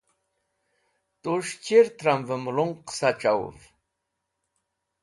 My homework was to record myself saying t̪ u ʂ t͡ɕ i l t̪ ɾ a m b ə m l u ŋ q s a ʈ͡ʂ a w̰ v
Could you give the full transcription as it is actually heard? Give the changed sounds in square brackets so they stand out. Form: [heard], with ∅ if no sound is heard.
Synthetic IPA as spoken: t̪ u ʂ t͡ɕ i [ɾ] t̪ ɾ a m [v] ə m l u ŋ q s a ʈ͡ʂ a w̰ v